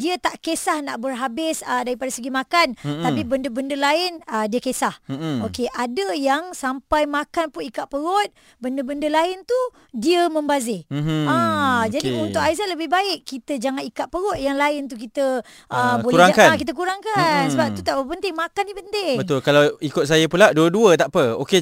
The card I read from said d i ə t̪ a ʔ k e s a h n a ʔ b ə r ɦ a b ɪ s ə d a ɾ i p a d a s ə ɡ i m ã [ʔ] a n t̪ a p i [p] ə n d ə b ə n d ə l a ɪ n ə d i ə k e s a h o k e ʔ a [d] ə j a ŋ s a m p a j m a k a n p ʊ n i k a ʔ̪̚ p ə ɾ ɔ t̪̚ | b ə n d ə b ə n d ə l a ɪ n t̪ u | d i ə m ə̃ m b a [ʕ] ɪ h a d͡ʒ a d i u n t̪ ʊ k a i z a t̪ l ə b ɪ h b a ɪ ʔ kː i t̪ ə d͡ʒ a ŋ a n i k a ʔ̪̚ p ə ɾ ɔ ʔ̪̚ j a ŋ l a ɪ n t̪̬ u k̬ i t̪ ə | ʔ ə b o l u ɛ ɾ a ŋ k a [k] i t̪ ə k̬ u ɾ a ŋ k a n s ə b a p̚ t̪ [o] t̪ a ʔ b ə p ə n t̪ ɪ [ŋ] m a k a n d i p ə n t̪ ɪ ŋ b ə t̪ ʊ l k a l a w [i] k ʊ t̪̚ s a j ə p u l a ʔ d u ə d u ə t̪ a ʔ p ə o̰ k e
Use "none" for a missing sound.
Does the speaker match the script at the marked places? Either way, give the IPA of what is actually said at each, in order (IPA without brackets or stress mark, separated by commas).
k, b, d, z, k, u, ŋ, i